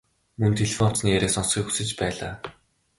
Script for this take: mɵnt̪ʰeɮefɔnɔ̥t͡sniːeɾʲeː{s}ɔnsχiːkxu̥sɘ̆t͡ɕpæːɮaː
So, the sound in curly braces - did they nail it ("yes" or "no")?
yes